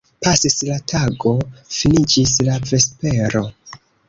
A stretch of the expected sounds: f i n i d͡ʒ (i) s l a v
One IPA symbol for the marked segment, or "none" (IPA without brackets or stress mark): i